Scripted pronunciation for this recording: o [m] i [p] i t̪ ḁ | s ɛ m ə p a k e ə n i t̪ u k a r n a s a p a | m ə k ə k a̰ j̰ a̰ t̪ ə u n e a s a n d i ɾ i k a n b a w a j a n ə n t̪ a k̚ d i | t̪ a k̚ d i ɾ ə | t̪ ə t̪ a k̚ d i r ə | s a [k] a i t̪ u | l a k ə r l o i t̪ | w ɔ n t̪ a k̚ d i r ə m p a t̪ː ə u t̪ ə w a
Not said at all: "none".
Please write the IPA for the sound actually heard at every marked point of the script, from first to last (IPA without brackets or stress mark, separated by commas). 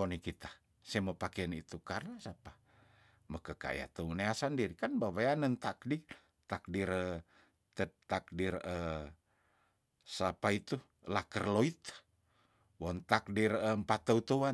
n, k, p